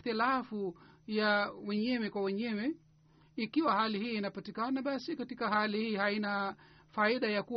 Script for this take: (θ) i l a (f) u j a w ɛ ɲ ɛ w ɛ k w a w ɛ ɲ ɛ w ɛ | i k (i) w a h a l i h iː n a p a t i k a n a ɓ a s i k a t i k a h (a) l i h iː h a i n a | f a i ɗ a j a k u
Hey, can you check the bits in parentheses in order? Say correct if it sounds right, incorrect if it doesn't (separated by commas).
correct, correct, correct, correct